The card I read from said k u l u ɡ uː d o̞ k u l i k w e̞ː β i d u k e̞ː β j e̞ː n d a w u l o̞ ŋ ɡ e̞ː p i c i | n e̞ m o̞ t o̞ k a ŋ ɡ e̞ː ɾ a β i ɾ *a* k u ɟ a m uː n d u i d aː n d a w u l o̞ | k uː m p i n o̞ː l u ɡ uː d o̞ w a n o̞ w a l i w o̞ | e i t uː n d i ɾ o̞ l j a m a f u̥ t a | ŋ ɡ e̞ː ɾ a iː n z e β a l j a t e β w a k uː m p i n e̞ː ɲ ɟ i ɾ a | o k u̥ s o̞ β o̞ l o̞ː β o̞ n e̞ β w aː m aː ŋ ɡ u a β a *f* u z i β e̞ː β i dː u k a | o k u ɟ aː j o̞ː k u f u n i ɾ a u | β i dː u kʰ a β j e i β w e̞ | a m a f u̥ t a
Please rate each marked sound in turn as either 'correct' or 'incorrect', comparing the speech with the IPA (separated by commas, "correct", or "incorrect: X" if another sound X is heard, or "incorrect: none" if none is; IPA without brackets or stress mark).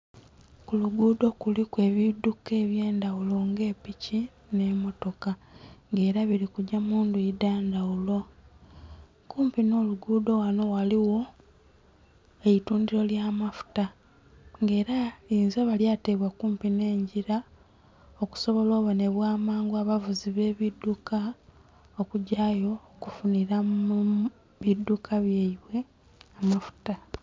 incorrect: i, incorrect: v